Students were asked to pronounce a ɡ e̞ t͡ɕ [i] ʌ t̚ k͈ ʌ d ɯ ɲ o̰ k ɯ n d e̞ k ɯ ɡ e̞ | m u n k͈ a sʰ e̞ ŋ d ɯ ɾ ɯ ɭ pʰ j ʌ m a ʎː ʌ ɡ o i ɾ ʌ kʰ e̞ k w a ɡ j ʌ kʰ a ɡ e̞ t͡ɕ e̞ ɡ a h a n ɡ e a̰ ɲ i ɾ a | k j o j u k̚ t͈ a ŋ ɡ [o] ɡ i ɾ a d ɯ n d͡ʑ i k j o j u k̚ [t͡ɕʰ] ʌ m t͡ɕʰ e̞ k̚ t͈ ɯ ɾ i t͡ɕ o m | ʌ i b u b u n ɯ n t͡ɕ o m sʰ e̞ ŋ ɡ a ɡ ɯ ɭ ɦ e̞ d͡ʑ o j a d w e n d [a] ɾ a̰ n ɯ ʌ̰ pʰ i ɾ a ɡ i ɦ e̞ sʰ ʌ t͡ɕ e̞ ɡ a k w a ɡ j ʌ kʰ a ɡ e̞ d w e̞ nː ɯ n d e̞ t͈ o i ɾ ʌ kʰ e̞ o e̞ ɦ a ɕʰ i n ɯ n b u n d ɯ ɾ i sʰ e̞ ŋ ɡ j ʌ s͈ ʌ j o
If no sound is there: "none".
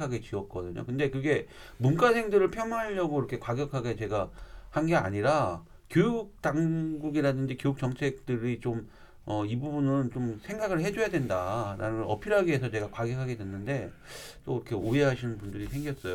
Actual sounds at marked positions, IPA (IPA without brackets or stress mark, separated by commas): i, u, t͡ɕ, a